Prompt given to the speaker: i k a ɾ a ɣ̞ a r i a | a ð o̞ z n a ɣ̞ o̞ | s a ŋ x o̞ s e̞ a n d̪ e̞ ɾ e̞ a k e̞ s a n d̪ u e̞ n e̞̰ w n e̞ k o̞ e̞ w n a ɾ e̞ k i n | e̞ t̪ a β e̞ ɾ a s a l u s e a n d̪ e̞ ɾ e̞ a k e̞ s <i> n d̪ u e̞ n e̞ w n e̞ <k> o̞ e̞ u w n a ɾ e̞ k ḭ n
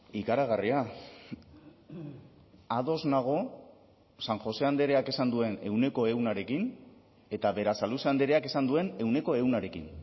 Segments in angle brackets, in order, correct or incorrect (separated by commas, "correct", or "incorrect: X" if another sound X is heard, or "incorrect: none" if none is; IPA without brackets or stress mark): incorrect: a, correct